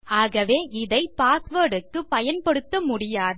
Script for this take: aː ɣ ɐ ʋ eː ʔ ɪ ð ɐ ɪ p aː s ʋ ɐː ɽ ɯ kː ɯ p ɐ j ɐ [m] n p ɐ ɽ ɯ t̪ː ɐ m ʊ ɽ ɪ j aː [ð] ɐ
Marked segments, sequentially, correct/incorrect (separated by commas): incorrect, correct